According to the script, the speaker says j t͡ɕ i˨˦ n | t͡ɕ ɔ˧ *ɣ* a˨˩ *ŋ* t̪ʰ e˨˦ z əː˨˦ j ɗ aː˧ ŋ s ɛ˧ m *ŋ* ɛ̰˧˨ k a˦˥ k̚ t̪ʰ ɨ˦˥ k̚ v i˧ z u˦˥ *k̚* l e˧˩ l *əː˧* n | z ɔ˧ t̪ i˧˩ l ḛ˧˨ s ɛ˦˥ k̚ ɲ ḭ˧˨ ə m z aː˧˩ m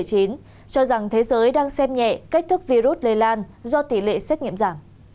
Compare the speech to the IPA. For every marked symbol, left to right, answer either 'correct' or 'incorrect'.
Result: incorrect, correct, incorrect, incorrect, incorrect

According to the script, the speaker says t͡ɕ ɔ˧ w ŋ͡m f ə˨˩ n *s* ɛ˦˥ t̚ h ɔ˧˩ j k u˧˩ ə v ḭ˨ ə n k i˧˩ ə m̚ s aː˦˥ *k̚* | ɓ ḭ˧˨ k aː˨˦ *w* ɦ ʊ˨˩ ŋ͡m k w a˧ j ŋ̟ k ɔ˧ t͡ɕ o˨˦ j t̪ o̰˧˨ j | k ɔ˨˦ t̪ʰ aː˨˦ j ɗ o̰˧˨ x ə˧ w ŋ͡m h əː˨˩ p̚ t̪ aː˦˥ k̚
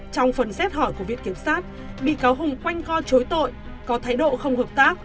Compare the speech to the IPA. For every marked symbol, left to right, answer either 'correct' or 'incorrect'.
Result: correct, incorrect, correct

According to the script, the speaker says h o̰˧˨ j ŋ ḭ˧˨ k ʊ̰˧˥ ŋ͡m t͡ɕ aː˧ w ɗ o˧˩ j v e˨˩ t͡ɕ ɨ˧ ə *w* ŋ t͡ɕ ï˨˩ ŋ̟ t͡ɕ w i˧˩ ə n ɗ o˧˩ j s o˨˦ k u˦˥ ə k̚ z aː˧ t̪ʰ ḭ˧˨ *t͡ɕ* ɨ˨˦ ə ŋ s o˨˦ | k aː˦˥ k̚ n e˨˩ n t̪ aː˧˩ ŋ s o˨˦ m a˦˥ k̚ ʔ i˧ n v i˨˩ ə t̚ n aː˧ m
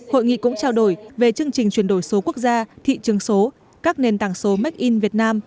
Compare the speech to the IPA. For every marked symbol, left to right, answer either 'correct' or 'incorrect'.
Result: incorrect, correct

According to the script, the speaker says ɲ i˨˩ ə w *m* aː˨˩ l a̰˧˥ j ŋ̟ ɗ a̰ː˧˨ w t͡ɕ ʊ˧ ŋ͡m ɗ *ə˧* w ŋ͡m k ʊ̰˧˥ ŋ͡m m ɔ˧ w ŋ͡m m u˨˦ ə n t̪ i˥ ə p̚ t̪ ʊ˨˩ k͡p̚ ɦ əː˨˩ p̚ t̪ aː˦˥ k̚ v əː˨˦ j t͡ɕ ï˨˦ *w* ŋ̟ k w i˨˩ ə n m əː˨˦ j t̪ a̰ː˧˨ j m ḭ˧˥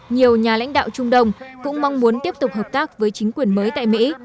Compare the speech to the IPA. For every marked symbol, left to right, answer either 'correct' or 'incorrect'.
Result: incorrect, correct, incorrect

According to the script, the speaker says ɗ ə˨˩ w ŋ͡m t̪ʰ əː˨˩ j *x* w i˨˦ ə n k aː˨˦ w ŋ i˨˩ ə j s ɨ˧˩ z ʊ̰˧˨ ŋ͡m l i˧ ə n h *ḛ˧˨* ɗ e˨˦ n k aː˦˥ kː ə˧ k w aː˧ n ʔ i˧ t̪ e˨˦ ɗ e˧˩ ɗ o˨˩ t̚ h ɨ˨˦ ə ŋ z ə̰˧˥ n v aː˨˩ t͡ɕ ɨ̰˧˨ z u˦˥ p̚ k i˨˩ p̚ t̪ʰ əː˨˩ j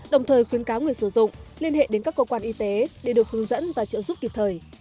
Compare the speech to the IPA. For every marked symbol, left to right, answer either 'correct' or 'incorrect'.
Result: correct, correct

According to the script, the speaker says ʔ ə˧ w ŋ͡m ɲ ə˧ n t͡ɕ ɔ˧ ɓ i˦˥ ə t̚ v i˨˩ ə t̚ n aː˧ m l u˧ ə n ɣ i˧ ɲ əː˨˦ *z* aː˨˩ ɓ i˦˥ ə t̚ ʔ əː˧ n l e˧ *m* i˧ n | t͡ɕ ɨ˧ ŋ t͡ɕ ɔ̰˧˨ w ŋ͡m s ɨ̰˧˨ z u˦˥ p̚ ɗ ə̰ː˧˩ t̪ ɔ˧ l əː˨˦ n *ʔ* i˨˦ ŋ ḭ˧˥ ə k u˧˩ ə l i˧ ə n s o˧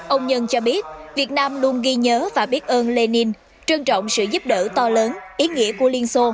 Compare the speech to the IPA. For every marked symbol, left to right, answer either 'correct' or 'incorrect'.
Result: incorrect, incorrect, correct

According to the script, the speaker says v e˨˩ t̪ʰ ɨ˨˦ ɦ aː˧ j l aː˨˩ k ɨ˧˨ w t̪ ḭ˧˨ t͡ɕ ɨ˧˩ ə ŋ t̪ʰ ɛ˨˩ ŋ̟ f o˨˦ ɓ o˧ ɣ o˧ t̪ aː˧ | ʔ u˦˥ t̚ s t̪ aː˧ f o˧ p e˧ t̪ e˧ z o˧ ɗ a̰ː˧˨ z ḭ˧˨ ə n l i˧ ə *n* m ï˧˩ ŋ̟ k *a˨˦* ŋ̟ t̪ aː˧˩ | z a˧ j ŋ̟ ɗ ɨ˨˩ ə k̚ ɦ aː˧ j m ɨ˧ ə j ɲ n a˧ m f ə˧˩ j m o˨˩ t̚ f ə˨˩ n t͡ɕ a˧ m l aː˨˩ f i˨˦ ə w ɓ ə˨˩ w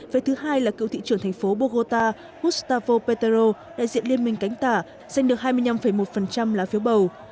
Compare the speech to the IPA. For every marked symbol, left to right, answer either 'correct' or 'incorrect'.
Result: correct, correct

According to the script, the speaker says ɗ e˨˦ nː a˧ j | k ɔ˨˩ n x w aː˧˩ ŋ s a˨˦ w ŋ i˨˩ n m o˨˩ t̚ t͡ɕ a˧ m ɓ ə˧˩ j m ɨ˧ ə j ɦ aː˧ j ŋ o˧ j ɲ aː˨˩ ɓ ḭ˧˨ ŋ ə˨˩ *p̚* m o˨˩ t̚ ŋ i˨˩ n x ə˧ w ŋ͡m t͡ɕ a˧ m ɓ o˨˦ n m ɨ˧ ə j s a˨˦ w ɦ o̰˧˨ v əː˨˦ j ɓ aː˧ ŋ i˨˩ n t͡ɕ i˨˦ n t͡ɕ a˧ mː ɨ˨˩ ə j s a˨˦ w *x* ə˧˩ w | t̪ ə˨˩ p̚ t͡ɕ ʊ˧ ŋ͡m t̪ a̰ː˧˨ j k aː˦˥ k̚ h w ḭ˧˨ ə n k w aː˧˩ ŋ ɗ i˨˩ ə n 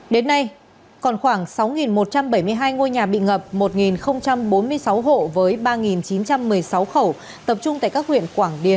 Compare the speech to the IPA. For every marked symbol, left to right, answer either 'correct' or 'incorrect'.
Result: correct, correct

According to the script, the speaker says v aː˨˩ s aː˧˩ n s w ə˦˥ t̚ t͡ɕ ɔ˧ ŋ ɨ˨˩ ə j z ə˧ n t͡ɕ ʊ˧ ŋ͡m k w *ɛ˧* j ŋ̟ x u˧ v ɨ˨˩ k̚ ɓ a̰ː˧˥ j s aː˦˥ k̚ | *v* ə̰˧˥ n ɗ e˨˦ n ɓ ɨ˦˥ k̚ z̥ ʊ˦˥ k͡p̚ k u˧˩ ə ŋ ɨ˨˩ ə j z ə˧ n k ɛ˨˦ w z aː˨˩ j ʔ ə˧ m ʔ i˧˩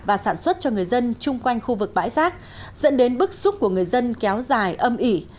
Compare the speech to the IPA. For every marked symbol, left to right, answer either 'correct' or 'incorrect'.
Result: incorrect, incorrect

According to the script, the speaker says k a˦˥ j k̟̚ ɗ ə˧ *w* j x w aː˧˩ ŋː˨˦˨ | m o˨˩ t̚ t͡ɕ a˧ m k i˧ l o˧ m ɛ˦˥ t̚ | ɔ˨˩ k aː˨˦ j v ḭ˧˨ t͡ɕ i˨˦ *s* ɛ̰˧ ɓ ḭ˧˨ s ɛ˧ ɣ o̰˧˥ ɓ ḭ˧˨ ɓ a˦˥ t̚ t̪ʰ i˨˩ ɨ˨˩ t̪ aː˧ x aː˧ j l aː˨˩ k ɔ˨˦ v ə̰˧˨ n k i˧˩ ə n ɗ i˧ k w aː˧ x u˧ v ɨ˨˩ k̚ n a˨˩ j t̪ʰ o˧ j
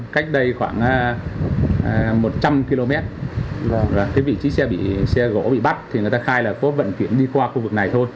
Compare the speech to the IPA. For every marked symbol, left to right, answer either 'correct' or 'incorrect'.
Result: incorrect, correct

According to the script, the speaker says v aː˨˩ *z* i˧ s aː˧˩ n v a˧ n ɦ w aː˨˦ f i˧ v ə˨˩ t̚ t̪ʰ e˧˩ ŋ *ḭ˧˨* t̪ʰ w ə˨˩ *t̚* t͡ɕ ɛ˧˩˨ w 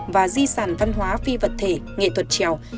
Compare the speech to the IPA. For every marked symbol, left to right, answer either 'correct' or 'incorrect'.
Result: correct, incorrect, correct

